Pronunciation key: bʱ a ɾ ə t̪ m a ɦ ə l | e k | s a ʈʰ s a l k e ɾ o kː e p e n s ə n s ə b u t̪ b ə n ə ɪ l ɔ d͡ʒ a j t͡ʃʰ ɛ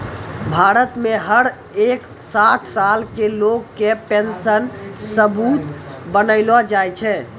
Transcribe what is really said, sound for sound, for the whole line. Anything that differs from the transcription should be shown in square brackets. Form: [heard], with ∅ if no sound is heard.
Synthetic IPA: bʱ a ɾ ə t̪ m [e] ɦ ə [ɾ] | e k | s a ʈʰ s a l k e [l] o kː e p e n s ə n s ə b u t̪ b ə n ə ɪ l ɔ d͡ʒ a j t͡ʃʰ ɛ